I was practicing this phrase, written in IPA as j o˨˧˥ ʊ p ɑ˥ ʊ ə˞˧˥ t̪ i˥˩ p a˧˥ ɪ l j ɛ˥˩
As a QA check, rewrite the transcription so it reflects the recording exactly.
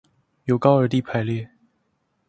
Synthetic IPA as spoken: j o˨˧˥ ʊ k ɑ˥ ʊ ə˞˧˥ t̪ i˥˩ pʰ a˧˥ ɪ l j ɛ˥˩